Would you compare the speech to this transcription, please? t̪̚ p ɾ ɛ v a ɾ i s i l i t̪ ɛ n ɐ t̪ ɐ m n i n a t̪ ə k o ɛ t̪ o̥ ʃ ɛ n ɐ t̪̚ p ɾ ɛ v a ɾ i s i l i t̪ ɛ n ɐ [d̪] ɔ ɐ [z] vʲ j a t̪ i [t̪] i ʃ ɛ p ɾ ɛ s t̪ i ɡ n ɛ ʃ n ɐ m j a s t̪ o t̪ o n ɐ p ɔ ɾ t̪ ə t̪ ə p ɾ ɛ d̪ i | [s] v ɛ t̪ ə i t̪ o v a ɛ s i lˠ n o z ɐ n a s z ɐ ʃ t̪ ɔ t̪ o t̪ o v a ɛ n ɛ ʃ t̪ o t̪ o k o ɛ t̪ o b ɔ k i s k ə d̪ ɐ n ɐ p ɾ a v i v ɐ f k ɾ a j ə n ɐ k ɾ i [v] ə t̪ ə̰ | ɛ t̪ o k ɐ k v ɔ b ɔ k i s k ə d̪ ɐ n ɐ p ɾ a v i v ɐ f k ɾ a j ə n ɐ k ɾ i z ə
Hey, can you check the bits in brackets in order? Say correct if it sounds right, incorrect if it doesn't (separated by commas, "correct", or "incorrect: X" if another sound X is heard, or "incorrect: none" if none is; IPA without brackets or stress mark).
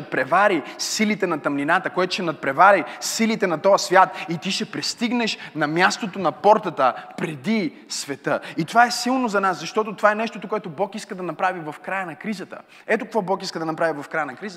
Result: incorrect: t̪, incorrect: s, correct, correct, incorrect: z